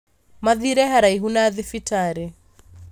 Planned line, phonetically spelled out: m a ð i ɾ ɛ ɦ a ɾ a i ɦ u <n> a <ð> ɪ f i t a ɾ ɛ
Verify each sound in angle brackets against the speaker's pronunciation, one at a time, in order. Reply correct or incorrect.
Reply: correct, correct

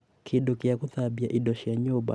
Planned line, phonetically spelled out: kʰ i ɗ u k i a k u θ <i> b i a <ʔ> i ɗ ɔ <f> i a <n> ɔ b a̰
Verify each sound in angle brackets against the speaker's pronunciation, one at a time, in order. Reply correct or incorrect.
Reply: incorrect: a, correct, incorrect: ʃ, incorrect: ɲ

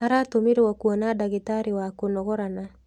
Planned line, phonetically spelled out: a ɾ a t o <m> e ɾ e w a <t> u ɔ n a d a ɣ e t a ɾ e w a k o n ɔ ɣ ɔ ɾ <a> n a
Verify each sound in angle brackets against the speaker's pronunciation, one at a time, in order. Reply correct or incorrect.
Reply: correct, incorrect: k, correct

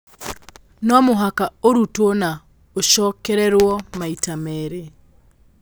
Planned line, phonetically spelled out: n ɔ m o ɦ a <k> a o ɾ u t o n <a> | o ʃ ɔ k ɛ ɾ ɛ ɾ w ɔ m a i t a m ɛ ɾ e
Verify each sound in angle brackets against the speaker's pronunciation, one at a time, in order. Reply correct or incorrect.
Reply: correct, correct

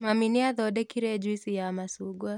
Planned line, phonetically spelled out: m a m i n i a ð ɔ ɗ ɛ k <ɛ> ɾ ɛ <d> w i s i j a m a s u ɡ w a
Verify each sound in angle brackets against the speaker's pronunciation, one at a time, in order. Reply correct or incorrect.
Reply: incorrect: i, incorrect: d͡ʒ

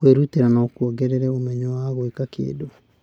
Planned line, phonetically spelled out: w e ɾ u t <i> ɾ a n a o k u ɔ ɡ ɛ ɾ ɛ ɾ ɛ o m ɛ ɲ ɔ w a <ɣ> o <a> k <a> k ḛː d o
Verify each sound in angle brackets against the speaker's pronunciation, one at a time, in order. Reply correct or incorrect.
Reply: incorrect: e, correct, incorrect: e, correct

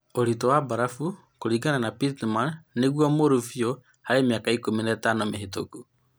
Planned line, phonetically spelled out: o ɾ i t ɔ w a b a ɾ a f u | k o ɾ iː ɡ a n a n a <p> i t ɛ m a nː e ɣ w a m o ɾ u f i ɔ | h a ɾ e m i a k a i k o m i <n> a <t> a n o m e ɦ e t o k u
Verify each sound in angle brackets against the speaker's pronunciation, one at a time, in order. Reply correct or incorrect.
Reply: correct, correct, correct

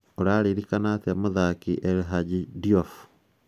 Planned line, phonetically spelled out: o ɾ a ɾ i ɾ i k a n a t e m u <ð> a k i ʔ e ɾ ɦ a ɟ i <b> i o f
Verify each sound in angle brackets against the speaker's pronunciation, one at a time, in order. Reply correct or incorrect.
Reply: correct, incorrect: d

